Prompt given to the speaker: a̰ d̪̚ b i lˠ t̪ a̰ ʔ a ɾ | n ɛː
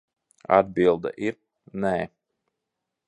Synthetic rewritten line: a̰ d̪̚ b i lˠ d̪ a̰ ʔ i ɾ | n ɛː